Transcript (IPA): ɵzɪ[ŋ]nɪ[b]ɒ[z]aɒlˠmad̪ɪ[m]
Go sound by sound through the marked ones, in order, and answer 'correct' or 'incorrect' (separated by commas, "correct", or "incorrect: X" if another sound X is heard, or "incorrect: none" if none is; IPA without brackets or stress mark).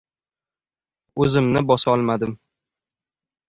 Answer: incorrect: m, correct, incorrect: s, correct